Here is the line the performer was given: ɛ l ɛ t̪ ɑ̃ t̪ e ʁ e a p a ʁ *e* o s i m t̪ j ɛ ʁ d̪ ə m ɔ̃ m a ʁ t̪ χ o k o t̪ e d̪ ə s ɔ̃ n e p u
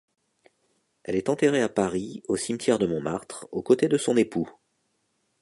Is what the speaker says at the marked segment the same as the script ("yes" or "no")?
no